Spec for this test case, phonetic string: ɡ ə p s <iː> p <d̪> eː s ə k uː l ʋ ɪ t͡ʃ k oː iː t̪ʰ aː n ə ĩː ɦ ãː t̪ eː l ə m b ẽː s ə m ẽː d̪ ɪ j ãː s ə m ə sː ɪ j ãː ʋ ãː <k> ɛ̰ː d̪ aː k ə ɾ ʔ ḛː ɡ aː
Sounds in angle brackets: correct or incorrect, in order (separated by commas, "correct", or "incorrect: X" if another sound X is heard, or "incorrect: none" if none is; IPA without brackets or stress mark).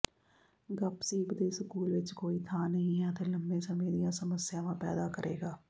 correct, correct, incorrect: p